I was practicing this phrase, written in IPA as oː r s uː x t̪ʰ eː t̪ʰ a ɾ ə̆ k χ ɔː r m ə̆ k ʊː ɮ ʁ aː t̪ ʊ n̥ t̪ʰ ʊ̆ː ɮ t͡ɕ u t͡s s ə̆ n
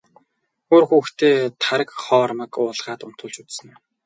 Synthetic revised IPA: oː r x uː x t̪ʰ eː t̪ʰ a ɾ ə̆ k χ ɔː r m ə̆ k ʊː ɮ ʁ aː t̪ ʊ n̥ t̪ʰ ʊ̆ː ɮ t͡ɕ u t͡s s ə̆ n